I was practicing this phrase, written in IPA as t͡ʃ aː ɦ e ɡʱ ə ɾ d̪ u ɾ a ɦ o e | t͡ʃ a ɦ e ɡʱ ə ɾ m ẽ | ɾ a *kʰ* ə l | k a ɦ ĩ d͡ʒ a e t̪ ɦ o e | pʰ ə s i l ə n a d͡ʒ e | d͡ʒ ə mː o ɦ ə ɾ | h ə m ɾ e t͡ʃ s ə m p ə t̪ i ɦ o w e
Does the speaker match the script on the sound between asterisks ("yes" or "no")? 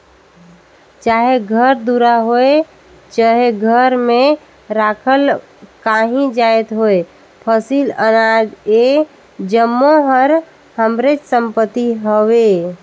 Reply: yes